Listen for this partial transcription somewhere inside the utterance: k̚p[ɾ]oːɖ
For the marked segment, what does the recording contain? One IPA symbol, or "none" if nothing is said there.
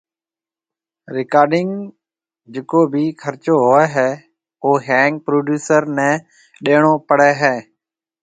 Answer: ɾ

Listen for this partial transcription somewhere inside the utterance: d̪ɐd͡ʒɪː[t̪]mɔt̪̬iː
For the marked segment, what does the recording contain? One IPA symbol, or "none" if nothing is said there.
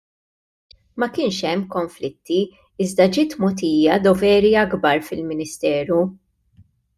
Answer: t̪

